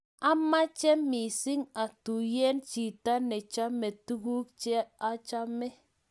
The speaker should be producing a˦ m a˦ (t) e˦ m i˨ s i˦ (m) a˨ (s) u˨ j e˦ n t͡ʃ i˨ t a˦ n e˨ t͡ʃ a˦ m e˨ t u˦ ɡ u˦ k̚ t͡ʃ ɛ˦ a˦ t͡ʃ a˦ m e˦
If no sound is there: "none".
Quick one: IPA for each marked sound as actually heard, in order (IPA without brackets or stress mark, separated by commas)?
t͡ʃ, ŋ, t